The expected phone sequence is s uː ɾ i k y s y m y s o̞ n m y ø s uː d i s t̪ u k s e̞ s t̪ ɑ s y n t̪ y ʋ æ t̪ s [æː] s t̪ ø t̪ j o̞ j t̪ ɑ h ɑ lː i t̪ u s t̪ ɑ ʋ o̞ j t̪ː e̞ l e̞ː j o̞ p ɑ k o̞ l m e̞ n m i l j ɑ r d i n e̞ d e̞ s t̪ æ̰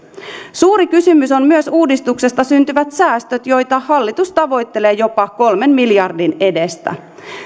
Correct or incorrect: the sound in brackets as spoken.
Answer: correct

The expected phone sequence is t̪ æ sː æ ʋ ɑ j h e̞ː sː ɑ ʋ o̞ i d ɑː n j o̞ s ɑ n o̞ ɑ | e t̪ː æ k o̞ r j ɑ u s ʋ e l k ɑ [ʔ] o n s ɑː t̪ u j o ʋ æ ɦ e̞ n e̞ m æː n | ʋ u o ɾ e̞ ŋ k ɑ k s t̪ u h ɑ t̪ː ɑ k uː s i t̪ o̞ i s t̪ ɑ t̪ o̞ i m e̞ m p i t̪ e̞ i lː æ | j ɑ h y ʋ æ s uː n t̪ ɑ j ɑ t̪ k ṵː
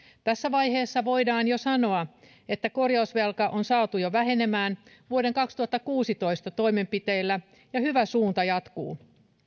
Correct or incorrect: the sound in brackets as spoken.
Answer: correct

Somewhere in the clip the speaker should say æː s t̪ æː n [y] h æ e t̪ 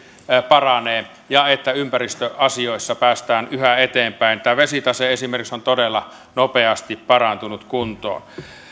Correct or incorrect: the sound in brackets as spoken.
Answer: correct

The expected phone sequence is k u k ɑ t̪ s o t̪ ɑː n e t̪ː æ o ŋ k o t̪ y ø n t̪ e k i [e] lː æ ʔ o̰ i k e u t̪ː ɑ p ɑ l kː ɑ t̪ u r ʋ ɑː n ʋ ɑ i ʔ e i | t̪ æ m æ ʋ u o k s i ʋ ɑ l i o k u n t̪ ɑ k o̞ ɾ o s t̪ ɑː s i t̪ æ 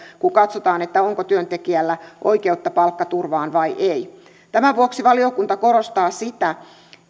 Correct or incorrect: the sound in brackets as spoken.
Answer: incorrect: æ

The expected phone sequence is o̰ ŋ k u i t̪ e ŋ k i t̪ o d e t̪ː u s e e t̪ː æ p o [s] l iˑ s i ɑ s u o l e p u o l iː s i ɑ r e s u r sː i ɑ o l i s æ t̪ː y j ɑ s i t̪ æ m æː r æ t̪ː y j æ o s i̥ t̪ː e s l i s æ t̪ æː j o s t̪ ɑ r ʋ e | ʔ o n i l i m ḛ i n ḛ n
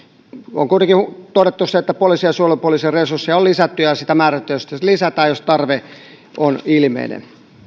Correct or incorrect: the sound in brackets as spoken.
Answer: incorrect: none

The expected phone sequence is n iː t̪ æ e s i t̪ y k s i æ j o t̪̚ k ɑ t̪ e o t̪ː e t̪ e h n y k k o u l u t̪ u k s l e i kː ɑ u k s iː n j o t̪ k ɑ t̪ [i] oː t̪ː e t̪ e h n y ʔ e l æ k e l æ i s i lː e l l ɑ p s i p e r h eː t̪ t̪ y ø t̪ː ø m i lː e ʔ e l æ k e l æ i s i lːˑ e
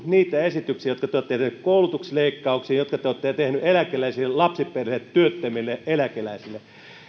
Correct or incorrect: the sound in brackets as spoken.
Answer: incorrect: e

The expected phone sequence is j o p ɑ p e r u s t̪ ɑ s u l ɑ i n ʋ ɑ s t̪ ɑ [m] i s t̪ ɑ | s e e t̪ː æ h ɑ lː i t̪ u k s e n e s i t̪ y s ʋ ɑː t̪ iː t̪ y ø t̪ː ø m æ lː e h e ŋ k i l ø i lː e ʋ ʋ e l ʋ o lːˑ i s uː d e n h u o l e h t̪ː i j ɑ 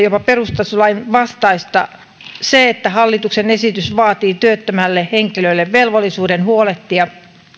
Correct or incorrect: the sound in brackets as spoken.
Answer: incorrect: none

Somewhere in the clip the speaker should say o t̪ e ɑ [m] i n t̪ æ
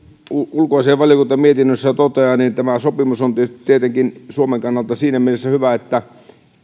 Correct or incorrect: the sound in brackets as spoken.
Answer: incorrect: n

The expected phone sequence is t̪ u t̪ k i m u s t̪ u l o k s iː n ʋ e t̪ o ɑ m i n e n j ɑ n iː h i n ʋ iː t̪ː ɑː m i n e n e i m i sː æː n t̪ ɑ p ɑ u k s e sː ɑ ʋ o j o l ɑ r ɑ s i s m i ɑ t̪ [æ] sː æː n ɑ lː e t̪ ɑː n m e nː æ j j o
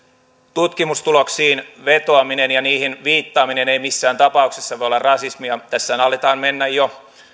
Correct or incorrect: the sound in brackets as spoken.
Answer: correct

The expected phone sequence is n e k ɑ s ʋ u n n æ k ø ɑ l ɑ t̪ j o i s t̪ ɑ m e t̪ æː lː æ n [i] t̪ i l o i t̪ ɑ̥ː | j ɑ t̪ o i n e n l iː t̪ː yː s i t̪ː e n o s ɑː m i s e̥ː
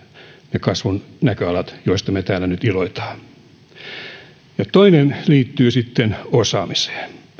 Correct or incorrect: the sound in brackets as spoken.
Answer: incorrect: y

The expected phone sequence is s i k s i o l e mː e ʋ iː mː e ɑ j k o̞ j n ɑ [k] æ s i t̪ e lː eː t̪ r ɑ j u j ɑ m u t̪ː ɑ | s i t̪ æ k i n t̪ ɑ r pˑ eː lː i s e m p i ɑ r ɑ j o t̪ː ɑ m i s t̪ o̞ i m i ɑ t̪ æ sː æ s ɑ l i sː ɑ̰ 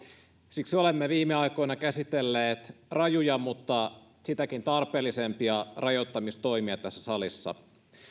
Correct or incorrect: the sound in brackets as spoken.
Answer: correct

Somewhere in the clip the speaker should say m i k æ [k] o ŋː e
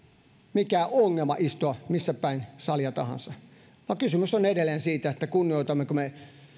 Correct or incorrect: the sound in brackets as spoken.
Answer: incorrect: none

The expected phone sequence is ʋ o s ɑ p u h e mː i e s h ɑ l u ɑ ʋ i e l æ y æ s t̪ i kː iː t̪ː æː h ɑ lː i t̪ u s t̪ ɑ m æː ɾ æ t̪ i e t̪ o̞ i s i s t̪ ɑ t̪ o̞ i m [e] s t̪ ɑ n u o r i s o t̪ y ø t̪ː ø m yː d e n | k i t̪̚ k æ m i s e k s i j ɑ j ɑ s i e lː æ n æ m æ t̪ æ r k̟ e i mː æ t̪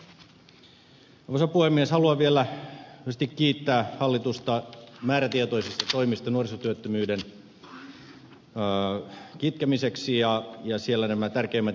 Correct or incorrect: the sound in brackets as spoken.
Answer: incorrect: i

